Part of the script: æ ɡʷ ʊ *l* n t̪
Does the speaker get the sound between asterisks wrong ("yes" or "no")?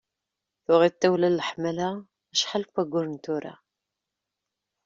yes